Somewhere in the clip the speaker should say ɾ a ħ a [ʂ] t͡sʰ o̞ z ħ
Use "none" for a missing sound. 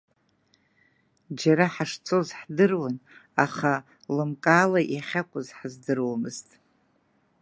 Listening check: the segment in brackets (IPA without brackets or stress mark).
ʂ